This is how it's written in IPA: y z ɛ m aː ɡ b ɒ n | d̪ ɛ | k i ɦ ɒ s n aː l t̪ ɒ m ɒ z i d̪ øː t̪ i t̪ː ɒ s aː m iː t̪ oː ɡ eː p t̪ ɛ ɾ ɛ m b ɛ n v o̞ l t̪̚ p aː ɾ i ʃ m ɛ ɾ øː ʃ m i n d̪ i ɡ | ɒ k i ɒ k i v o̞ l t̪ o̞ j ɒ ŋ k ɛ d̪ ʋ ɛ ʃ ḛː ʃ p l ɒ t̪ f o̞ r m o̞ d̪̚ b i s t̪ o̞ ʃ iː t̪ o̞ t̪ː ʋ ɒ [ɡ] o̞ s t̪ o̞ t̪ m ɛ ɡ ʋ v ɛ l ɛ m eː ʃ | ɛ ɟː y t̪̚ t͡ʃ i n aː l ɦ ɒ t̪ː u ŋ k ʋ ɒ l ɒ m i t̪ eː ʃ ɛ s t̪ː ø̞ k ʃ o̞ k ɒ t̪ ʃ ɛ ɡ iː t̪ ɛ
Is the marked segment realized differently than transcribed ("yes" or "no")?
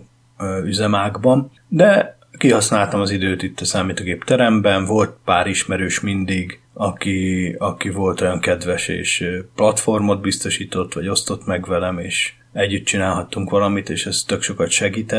yes